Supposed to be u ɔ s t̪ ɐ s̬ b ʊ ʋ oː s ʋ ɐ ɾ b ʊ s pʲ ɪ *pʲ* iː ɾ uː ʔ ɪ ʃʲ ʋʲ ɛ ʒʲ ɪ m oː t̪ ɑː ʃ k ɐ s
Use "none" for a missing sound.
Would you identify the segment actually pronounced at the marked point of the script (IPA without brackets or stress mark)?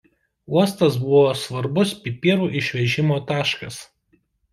pʲ